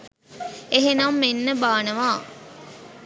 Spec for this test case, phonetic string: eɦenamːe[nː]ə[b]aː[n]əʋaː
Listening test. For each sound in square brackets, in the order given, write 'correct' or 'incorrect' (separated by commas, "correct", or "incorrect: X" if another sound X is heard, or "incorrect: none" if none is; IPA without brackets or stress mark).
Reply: correct, correct, correct